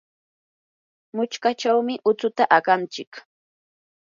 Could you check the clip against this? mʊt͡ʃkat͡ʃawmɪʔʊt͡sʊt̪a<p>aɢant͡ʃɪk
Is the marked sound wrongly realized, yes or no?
yes